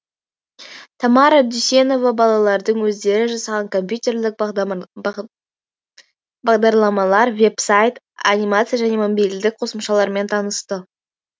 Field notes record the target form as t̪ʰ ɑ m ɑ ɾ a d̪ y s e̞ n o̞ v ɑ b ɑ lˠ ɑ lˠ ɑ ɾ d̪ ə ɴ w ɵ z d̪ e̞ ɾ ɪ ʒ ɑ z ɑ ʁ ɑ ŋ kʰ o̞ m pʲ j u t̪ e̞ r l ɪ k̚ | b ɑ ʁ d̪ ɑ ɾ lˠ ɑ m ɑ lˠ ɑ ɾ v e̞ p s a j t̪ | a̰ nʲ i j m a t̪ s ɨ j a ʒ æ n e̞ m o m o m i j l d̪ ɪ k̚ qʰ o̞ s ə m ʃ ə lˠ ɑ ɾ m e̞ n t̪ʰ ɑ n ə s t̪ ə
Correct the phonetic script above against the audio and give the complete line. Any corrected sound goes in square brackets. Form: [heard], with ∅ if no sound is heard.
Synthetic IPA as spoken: t̪ʰ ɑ m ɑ ɾ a d̪ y s e̞ n o̞ v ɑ b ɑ lˠ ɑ lˠ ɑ ɾ d̪ ə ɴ w ɵ z d̪ e̞ ɾ ɪ ʒ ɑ [s] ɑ ʁ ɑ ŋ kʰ o̞ m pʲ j u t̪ e̞ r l ɪ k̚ | b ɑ ʁ d̪ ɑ ɾ lˠ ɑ m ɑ lˠ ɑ ɾ v e̞ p s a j t̪ | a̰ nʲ i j m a t̪ s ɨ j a ʒ æ n e̞ m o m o [b] i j l d̪ ɪ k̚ qʰ o̞ s ə m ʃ [ɑ] lˠ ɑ ɾ m e̞ n t̪ʰ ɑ n ə s t̪ ə